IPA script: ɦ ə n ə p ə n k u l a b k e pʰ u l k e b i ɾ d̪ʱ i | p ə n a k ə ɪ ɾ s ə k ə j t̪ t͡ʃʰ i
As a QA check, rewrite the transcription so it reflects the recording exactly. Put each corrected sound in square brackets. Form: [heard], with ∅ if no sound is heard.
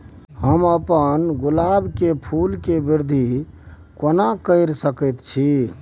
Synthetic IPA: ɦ ə [m] ə p ə n [ɡ] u l a b k e pʰ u l k e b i ɾ d̪ʱ i | [k] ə n a k ə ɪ ɾ s ə k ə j t̪ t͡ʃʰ i